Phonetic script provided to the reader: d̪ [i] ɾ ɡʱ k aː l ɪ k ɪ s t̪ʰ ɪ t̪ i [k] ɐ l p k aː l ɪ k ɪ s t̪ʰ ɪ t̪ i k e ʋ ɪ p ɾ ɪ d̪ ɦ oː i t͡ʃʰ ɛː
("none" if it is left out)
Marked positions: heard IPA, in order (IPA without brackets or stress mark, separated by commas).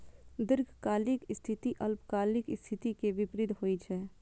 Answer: ɪ, ʔ